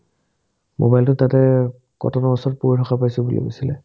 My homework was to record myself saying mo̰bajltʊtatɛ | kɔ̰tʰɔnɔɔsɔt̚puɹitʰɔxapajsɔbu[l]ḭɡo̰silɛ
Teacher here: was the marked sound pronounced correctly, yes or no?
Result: yes